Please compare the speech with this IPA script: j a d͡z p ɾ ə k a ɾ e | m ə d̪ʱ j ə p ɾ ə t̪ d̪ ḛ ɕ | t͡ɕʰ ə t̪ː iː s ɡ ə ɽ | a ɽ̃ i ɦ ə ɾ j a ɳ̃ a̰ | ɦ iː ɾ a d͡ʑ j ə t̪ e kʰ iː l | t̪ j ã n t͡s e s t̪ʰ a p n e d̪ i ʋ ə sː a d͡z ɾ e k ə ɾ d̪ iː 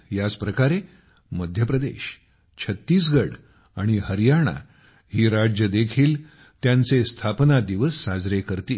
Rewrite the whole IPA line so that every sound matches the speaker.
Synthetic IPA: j a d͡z p ɾ ə k a ɾ e | m ə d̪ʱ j ə p ɾ ə d̪ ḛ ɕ | t͡ɕʰ ə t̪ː iː s ɡ ə ɽ | a ɽ̃ i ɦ ə ɾ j a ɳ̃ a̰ | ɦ iː ɾ a d͡ʑ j ə d̪ e kʰ iː l | t̪ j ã n t͡s e s t̪ʰ a p n a d̪ i ʋ ə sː a d͡z ɾ e k ə ɾ t̪ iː